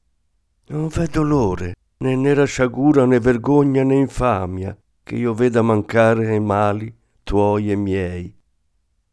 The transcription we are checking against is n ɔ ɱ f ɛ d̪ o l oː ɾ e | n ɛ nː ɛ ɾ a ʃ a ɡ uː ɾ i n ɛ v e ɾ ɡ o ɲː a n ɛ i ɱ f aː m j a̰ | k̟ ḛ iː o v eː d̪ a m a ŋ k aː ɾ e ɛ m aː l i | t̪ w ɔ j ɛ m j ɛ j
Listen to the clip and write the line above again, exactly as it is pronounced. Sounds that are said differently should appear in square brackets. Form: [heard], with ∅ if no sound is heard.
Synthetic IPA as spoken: n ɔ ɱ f ɛ d̪ o l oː ɾ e | n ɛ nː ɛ ɾ a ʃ a ɡ uː ɾ [a] n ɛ v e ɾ ɡ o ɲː a n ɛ i ɱ f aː m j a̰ | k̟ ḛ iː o v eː d̪ a m a ŋ k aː ɾ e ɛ m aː l i | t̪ w ɔ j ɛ m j ɛ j